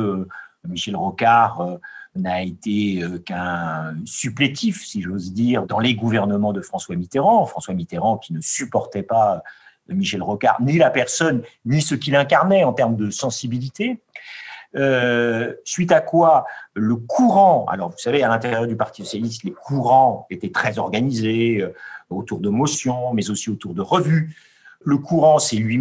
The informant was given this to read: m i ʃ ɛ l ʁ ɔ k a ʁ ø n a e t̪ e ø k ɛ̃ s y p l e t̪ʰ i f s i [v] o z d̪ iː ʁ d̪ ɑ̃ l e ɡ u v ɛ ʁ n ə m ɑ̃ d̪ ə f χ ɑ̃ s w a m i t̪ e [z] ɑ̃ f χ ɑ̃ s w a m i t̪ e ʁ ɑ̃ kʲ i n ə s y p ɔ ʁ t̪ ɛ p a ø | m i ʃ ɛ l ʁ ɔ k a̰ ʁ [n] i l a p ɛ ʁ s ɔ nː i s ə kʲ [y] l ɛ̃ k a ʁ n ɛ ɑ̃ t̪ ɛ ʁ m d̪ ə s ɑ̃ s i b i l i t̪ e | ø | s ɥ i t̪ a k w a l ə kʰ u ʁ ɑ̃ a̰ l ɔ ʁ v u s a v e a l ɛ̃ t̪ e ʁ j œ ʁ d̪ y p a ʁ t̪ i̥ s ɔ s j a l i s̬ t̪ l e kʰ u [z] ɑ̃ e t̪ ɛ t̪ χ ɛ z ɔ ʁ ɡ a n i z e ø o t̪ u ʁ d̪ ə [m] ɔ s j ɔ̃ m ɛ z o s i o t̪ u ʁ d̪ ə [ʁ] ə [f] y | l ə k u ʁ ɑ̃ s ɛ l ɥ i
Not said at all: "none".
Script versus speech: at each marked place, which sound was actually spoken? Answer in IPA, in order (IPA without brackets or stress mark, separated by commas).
ʒ, ʁ, n, i, ʁ, m, ʁ, v